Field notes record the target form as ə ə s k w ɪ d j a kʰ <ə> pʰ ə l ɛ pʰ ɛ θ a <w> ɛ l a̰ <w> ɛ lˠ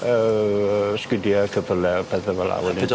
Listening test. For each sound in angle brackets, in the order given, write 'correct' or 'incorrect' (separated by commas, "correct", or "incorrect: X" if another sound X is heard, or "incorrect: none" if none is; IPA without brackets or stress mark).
correct, incorrect: v, correct